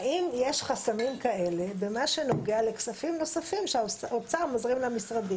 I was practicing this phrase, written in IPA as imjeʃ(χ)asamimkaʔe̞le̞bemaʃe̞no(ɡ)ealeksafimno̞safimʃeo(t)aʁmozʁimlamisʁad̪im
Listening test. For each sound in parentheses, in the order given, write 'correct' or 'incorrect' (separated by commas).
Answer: correct, correct, incorrect